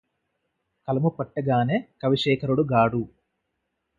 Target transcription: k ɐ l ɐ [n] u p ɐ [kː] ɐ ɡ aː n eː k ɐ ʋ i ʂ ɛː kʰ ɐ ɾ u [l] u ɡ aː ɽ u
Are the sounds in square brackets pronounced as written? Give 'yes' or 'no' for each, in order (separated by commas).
no, no, no